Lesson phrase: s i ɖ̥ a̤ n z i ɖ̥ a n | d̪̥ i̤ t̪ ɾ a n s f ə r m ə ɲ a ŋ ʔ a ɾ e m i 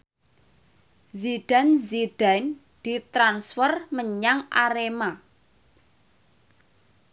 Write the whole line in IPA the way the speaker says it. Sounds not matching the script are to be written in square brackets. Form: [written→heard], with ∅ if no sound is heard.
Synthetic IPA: [s→z] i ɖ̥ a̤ n z i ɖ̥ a n | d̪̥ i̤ t̪ ɾ a n s f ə r m ə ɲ a ŋ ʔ a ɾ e m [i→a]